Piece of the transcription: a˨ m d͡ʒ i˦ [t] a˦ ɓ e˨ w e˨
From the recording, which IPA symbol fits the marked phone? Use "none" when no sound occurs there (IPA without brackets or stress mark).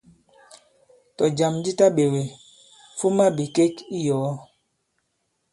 t